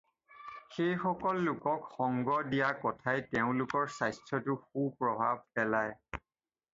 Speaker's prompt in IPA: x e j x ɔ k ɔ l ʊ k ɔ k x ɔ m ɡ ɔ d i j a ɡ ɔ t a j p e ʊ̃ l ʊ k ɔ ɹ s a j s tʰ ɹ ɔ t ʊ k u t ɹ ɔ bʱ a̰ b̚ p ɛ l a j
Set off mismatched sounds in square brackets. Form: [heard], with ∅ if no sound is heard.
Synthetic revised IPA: x e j x ɔ k ɔ [lː] ʊ k ɔ k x ɔ [ŋ] ɡ ɔ d i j a [k] ɔ [tʰ] a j [t] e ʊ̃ l ʊ k ɔ ɹ s a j s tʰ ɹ ɔ t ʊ [x] u [p] ɹ ɔ bʱ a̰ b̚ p ɛ l a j